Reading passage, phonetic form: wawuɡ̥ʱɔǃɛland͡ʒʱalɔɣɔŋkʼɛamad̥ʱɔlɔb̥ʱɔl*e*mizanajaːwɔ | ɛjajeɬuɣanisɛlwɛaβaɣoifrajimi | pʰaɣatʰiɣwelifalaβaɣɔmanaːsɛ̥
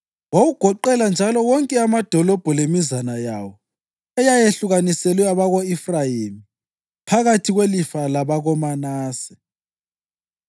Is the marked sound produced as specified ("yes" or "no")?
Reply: yes